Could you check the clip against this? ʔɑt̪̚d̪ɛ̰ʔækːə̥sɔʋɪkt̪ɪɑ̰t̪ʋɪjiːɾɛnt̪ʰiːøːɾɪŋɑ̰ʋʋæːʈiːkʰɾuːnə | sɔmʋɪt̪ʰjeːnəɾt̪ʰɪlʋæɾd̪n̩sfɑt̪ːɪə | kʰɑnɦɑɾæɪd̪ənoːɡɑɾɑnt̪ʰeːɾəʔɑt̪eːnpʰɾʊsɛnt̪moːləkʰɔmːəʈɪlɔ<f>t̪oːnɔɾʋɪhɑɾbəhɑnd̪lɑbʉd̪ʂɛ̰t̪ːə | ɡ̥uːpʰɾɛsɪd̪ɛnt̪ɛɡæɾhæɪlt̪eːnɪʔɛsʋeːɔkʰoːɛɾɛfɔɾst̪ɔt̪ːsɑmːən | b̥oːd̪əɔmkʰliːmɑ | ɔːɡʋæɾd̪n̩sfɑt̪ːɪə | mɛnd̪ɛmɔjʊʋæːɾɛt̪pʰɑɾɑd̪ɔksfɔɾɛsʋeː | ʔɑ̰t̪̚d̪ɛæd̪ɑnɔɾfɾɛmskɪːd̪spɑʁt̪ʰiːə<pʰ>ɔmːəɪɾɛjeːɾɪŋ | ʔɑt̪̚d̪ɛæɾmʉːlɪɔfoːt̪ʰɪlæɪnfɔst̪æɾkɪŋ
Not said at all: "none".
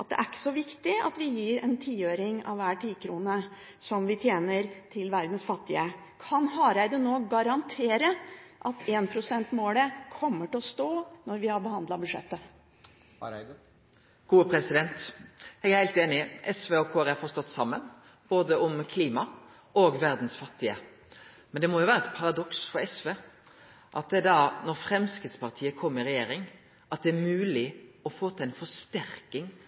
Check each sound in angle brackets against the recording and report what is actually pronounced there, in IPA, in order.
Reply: s, kʰ

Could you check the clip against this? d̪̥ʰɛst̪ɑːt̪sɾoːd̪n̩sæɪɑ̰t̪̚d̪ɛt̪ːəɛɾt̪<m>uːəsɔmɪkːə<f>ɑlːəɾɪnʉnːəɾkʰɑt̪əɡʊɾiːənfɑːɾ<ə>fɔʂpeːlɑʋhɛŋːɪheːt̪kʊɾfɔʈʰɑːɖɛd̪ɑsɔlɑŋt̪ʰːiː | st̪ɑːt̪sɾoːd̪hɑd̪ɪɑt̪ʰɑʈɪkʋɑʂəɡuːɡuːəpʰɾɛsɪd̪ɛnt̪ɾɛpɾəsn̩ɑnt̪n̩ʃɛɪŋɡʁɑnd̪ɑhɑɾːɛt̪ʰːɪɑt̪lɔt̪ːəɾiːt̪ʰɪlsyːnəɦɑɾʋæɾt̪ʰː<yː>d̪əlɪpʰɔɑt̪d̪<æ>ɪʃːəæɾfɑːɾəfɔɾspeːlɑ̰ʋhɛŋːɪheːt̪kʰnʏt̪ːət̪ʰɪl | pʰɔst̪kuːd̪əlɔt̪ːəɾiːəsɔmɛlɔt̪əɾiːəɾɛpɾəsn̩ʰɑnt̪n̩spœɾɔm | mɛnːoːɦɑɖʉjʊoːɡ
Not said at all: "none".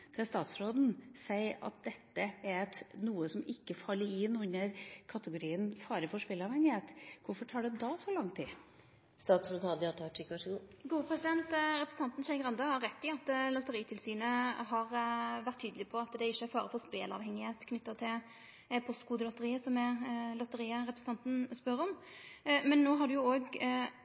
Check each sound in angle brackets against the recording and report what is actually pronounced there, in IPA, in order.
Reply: n, f, ə, yː, ɛ

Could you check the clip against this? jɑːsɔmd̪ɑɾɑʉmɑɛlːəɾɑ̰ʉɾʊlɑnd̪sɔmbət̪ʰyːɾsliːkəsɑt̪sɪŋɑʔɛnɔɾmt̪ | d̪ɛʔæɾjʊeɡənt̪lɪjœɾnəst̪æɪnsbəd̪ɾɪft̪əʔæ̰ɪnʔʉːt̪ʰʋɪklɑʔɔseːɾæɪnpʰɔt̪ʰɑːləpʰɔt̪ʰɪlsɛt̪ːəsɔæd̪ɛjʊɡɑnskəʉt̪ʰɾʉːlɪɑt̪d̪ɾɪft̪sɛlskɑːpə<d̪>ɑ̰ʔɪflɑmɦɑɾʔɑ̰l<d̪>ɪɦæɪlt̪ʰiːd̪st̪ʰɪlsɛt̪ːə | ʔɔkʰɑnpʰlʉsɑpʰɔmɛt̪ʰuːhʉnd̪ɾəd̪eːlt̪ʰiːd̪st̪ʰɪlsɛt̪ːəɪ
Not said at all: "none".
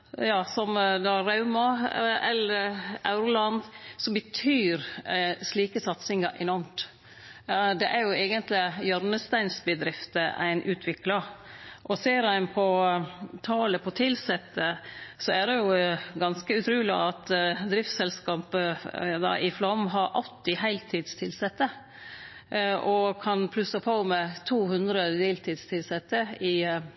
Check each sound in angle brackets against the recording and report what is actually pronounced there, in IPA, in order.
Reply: d̪, t̪

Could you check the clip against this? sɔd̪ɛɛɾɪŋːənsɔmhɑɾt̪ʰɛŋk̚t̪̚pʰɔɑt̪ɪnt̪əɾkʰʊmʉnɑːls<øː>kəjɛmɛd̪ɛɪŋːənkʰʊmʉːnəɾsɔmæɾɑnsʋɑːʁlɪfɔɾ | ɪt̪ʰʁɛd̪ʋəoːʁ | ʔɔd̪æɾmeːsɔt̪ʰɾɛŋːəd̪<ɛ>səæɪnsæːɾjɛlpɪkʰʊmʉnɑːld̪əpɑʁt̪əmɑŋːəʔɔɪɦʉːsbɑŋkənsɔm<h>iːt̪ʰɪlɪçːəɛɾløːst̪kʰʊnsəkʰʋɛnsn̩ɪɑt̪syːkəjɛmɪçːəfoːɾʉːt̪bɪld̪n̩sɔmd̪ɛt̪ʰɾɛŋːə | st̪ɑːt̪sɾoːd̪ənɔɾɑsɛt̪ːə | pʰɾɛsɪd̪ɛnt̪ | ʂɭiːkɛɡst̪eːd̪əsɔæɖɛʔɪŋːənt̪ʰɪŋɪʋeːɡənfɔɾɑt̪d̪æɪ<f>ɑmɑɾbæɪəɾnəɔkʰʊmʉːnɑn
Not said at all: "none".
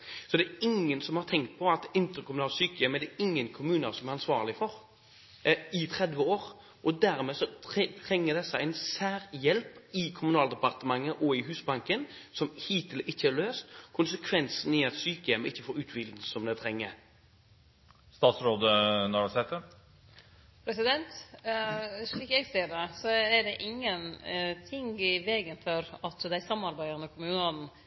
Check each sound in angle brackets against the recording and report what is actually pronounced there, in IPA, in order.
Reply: yː, ɛ, h, s

